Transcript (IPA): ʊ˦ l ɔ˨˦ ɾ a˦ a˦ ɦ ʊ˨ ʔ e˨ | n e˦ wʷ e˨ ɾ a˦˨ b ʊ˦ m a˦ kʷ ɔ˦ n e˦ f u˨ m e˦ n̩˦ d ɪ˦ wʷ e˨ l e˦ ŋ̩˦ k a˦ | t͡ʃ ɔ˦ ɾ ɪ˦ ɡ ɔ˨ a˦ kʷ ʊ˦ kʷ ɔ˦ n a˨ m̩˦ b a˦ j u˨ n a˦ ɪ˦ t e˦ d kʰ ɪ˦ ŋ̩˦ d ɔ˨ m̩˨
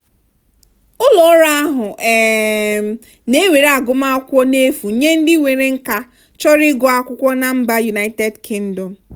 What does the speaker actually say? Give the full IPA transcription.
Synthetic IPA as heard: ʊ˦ l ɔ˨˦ ɾ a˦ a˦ ɦ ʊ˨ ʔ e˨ | n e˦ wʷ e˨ ɾ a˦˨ ɡ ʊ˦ m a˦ kʷ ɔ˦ n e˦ f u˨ ɲ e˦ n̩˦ d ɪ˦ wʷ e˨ ɾ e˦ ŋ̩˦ k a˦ | t͡ʃ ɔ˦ ɾ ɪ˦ ɡ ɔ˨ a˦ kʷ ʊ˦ kʷ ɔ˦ n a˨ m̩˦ b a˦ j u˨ n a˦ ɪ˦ t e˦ d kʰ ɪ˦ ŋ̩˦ d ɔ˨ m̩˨

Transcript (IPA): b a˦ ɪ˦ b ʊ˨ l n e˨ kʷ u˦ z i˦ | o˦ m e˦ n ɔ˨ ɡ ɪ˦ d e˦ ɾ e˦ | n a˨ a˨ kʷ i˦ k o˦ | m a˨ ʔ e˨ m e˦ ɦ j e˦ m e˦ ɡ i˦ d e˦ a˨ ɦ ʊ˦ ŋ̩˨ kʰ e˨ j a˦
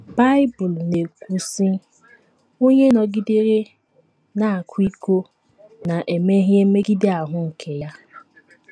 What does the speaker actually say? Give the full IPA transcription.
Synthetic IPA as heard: b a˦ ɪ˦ b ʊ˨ l n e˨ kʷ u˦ s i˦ | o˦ ɲ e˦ n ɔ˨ ɡ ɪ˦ d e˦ ɾ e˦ | n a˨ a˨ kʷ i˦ k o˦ | n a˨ ʔ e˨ m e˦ ɦ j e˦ m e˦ ɡ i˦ d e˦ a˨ ɦ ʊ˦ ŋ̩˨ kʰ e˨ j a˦

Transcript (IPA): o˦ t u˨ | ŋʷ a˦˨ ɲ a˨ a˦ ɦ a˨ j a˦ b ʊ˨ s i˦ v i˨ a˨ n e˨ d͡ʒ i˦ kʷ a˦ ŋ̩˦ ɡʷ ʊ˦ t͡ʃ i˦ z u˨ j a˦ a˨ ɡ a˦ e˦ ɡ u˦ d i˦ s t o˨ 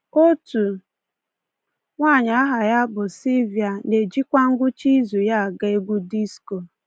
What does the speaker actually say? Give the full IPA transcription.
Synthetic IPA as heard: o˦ t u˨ | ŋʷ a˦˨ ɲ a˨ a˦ ɦ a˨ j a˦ b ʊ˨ s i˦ v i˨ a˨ n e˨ d͡ʒ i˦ kʷ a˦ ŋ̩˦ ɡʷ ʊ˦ t͡ʃ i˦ z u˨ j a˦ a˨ ɡ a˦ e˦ ɡ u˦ d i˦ s k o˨

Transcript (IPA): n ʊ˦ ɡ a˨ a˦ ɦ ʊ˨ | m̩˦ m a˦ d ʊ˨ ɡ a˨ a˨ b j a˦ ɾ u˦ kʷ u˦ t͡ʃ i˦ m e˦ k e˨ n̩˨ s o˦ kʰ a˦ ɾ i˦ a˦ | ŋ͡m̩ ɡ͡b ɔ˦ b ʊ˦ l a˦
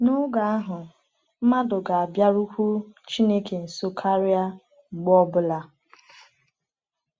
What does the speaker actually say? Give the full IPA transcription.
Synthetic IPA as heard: n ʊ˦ ɡ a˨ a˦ ɦ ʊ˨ | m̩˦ m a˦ d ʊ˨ ɡ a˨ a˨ b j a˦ ɾ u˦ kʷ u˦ t͡ʃ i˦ n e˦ k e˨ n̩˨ s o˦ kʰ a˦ ɾ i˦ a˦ | ŋ͡m̩ ɡ͡b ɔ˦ b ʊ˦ l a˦

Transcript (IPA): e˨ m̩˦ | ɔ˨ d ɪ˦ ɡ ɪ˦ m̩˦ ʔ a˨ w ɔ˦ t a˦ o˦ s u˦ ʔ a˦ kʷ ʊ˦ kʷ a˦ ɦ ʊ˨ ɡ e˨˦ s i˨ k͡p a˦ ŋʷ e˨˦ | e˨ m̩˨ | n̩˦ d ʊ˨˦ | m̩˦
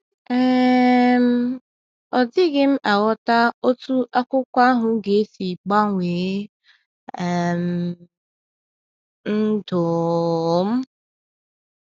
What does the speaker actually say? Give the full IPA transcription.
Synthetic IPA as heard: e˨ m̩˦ | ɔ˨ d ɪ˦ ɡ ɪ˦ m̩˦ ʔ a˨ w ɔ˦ t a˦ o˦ t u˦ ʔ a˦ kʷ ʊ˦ kʷ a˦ ɦ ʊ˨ ɡ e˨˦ s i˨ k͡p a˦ ŋʷ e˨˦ | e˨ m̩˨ | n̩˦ d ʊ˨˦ | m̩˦

